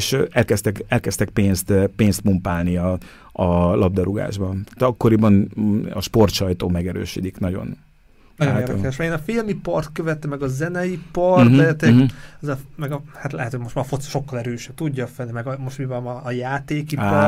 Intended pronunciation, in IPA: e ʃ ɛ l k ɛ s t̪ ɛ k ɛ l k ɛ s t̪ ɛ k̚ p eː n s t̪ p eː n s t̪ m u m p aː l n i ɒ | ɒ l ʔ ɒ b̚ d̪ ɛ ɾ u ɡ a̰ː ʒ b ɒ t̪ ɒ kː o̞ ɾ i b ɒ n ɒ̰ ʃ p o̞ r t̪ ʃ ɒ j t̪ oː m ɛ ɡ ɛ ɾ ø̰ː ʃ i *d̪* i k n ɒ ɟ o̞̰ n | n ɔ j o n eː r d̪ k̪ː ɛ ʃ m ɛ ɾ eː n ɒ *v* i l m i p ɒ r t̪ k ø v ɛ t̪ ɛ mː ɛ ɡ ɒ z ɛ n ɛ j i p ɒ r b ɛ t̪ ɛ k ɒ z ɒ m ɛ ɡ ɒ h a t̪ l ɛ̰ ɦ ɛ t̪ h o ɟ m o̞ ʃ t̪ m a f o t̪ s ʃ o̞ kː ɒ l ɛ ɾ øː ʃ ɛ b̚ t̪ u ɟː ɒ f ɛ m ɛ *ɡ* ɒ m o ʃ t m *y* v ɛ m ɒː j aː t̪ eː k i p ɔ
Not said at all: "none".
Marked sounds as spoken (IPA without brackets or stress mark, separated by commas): d̪, f, ɡ, i